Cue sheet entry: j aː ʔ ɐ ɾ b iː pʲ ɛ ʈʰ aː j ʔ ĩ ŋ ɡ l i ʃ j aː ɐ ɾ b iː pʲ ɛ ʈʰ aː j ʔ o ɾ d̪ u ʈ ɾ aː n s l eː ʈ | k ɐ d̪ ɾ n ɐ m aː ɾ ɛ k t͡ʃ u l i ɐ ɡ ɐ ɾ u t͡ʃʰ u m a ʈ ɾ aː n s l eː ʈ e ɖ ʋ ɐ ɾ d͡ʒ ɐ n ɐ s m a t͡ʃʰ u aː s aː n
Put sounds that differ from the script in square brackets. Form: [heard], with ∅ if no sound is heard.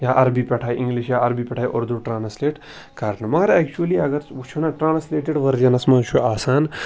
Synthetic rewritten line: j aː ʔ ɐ ɾ b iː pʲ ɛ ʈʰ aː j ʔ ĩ ŋ ɡ l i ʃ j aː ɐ ɾ b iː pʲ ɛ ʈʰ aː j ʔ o ɾ d̪ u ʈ ɾ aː n s l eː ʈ | k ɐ [∅] ɾ n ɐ m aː ɾ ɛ k t͡ʃ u l i ɐ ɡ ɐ ɾ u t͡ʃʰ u [n] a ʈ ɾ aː n s l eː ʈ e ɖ ʋ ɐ ɾ d͡ʒ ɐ n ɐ s m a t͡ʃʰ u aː s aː n